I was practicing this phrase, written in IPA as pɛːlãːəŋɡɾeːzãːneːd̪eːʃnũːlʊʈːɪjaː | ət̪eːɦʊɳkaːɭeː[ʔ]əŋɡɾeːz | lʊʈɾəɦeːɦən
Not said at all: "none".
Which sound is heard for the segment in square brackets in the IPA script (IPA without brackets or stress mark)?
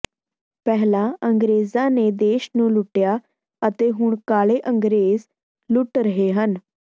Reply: ʔ